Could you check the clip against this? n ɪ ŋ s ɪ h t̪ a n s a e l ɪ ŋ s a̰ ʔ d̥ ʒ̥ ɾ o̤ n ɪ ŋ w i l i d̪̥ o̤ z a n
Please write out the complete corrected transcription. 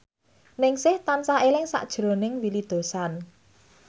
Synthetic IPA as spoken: n ɪ ŋ s ɪ h t̪ a n s a e l ɪ ŋ s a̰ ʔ d̥ ʒ̥ ɾ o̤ n ɪ ŋ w i l i d̪̥ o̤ s a n